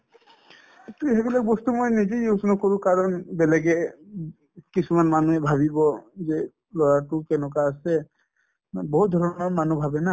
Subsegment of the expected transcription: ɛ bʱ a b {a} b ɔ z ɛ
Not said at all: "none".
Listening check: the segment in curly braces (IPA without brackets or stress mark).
i